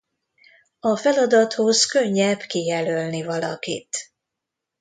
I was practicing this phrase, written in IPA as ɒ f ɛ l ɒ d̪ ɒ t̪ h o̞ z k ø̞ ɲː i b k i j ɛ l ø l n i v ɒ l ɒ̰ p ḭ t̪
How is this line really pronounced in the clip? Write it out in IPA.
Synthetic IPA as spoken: ɒ f ɛ l ɒ d̪ ɒ t̪ h o̞ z k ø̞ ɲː ɛ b k i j ɛ l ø l n i v ɒ l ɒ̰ k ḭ t̪